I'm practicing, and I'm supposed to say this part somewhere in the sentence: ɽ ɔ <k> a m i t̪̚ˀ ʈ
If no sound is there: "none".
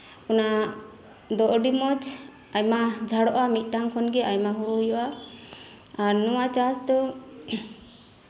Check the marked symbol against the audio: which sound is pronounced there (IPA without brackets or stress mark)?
ʔ